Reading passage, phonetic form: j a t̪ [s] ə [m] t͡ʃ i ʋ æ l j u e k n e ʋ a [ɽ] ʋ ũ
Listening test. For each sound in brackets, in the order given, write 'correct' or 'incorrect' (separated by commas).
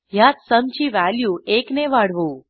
correct, correct, correct